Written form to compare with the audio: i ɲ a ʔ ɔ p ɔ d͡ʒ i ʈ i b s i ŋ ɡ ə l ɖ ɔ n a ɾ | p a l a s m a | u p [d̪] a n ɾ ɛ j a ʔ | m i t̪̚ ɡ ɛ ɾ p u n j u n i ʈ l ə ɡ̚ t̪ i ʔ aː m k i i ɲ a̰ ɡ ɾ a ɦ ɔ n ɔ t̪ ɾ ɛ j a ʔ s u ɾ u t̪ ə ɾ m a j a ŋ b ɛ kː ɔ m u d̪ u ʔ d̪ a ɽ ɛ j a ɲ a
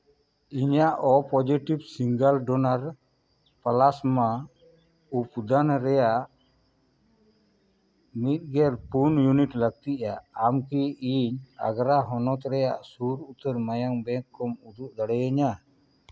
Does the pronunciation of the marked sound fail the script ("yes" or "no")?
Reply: no